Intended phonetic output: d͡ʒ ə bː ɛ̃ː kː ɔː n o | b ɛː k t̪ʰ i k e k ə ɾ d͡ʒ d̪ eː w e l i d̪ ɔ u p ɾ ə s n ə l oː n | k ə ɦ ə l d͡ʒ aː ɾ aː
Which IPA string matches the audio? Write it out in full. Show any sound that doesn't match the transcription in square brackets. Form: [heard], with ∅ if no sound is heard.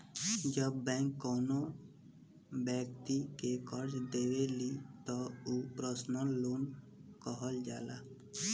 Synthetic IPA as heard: d͡ʒ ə bː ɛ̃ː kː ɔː n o | b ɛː k [t̪] i k e k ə ɾ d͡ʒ d̪ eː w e l i [t̪] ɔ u p ɾ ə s n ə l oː n | k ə ɦ ə l d͡ʒ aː [l] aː

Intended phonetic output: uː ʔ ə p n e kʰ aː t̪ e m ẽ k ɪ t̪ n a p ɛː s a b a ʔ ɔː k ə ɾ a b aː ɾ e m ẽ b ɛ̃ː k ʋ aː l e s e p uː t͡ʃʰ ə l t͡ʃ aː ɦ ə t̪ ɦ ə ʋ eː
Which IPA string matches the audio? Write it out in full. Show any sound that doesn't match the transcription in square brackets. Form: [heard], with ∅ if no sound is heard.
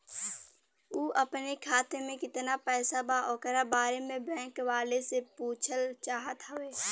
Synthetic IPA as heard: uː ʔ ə p n e kʰ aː t̪ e m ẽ k ɪ t̪ n a p ɛː s a b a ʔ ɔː k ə ɾ a b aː ɾ e m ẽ b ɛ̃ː k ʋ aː l e s e p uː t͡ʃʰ ə l t͡ʃ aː ɦ ə t̪ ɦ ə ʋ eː

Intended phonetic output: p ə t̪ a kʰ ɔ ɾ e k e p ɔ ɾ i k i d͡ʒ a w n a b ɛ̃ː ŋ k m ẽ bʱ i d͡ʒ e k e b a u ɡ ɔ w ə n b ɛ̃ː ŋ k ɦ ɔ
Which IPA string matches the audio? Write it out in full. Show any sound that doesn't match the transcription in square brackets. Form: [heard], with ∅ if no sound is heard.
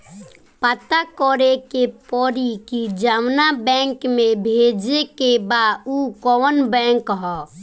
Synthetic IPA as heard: p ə t̪ a [k] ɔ ɾ e k e p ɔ ɾ i k i d͡ʒ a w n a b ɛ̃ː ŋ k m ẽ bʱ [e] d͡ʒ e k e b a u [k] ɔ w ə n b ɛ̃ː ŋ k ɦ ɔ

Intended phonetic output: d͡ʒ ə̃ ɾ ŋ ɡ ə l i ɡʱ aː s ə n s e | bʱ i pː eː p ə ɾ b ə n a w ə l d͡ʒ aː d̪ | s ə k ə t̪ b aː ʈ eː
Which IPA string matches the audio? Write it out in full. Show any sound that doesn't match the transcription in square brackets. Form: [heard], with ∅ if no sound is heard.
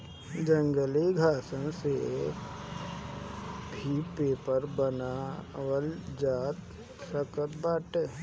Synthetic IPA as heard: d͡ʒ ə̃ [∅] ŋ ɡ ə l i ɡʱ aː s ə n s e | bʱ i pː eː p ə ɾ b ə n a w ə l d͡ʒ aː [t̪] | s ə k ə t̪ b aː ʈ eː

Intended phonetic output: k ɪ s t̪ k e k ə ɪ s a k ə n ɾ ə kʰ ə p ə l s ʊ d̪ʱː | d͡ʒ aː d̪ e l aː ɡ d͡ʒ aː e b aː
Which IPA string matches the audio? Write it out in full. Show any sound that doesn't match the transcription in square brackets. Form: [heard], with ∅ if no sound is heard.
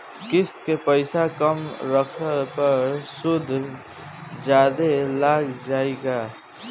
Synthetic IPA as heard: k ɪ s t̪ k e [p] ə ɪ s a k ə [m] ɾ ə kʰ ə p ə [ɾ] s ʊ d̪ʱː | d͡ʒ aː d̪ e l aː ɡ d͡ʒ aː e [ɡ] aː

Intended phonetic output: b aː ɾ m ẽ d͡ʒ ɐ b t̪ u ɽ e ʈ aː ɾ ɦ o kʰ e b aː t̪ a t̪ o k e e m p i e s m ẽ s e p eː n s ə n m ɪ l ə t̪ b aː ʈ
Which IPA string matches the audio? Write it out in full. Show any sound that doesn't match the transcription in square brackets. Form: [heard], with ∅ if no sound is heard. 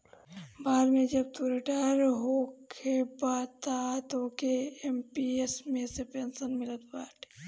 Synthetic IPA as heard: b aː ɾ m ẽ d͡ʒ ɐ b t̪ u [ɾ] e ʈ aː ɾ ɦ o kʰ e b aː t̪ a t̪ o k e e m p i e s m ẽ s e p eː n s ə n m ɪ l ə t̪ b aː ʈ

